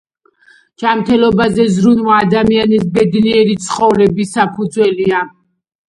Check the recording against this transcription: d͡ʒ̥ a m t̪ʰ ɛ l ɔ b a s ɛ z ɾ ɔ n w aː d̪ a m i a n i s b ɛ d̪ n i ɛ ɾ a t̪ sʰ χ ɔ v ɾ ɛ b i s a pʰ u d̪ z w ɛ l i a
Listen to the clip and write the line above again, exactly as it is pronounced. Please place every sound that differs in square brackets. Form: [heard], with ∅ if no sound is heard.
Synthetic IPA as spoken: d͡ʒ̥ a m t̪ʰ ɛ l ɔ b a [z] ɛ z ɾ [u] n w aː d̪ a m i a n i s b ɛ d̪ n i ɛ ɾ [i] t̪ sʰ χ ɔ v ɾ ɛ b i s a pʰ u d̪ z w ɛ l i a